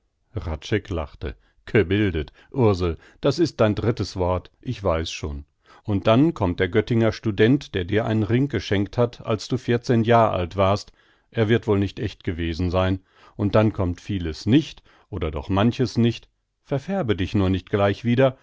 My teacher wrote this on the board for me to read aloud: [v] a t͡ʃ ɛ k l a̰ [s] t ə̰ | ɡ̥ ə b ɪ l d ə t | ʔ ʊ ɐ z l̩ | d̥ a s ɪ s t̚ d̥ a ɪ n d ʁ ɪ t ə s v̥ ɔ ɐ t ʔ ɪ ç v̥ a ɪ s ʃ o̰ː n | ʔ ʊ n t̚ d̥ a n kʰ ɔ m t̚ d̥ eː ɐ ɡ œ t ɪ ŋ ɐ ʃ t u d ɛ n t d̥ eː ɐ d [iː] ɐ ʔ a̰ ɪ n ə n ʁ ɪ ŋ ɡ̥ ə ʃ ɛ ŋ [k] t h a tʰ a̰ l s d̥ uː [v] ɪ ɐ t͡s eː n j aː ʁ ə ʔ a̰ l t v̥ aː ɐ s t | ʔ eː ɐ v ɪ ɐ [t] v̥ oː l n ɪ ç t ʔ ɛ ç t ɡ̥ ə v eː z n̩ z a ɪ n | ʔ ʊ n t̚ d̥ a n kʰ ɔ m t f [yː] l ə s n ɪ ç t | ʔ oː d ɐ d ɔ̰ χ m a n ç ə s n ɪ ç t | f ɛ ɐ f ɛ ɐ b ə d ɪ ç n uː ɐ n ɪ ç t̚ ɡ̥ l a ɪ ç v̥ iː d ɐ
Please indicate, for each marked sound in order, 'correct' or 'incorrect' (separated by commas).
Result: incorrect, incorrect, correct, correct, incorrect, correct, incorrect